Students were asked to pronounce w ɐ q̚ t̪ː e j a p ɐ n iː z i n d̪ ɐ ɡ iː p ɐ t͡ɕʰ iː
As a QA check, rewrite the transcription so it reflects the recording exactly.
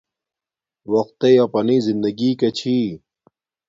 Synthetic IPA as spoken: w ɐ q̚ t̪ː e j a p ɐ n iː z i n d̪ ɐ ɡ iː k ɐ t͡ɕʰ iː